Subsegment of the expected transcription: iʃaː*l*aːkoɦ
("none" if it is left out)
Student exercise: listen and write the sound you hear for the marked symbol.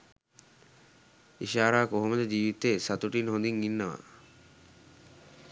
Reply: ɾ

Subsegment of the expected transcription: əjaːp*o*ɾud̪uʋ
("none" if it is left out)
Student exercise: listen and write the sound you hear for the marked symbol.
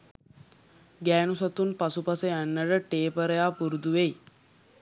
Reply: u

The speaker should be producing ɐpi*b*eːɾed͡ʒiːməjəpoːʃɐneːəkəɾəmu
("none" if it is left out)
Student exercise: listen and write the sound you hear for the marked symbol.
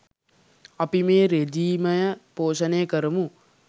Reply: m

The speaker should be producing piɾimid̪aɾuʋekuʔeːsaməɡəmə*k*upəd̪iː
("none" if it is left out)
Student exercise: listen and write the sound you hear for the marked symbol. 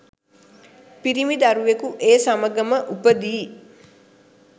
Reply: ʔ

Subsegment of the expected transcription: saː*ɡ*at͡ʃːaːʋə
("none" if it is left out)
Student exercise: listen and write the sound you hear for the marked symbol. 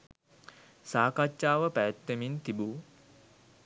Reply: k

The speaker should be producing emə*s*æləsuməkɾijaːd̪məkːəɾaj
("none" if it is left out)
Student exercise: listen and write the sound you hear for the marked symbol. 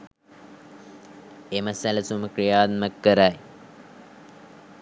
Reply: s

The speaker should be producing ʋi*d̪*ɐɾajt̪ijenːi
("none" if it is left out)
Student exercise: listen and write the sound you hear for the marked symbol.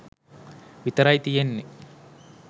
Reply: t̪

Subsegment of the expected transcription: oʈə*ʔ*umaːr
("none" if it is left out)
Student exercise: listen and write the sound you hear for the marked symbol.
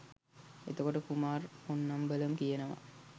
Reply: k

